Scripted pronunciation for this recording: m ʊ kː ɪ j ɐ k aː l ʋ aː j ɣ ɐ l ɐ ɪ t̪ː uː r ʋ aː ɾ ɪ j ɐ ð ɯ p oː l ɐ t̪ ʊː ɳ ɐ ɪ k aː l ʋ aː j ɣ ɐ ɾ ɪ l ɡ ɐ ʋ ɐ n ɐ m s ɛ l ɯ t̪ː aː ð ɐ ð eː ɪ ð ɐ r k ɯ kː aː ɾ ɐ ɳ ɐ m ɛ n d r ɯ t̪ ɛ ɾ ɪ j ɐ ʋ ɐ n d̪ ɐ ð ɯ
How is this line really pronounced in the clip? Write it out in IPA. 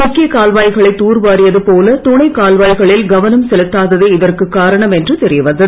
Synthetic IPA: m ʊ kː ɪ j ɐ k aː l ʋ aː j ɣ ɐ ɭ ɐ ɪ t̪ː uː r ʋ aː ɾ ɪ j ɐ ð ɯ p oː l ɐ t̪ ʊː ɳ ɐ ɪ k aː l ʋ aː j ɣ ɐ ɭ ɪ l ɡ ɐ ʋ ɐ n ɐ m s ɛ l ɯ t̪ː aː ð ɐ ð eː ɪ ð ɐ r k ɯ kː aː ɾ ɐ ɳ ɐ m ɛ n d r ɯ t̪ ɛ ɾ ɪ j ɐ ʋ ɐ n d̪ ɐ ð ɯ